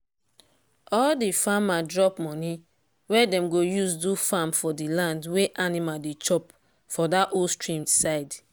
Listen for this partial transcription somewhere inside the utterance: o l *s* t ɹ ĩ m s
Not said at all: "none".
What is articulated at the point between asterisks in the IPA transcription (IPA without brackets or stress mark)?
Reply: s